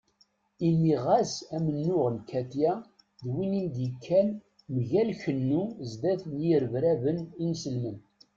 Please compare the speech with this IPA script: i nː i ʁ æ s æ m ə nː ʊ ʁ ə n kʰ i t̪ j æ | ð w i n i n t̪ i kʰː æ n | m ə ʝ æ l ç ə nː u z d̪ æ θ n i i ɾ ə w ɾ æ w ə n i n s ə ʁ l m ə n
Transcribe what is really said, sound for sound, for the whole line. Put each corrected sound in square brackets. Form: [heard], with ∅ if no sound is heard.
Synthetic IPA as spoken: i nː i ʁ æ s æ m ə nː ʊ ʁ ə n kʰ [æ] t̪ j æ | ð w i n i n [d̪] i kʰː æ n | m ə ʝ æ l ç ə nː u z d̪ æ θ n [j] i ɾ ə [v] ɾ æ [v] ə n i n s ə [∅] l m ə n